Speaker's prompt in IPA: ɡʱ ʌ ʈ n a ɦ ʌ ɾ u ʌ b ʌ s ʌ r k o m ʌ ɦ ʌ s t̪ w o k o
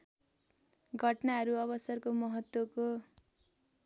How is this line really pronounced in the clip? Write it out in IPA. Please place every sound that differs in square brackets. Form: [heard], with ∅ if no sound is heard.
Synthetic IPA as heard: ɡʱ ʌ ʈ n a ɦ ʌ ɾ u ʌ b ʌ s ʌ r k o m ʌ ɦ ʌ [∅] t̪ w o k o